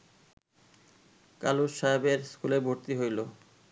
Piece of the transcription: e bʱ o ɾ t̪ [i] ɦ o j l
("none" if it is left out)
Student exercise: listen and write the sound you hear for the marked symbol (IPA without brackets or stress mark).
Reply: i